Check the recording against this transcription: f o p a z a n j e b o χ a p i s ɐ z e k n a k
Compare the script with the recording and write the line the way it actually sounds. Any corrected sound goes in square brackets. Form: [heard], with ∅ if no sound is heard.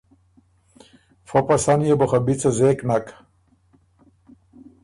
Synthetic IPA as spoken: f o p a [s] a n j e b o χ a [b] i [t͡s] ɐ z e k n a k